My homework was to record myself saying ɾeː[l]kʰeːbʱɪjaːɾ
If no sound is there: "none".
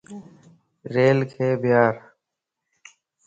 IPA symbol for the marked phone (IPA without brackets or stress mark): l